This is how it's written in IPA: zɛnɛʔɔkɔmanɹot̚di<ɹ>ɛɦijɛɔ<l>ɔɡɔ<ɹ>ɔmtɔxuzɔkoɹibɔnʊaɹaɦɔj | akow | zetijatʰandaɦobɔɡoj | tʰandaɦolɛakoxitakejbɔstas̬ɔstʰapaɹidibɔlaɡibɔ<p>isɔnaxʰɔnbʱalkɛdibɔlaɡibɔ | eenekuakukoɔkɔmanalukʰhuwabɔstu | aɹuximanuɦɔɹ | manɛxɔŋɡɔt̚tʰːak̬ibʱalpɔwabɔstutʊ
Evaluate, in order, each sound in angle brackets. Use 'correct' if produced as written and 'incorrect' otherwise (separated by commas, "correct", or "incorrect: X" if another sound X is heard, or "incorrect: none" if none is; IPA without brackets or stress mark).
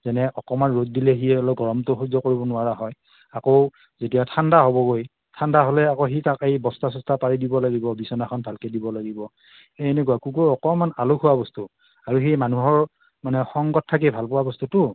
incorrect: l, correct, correct, incorrect: b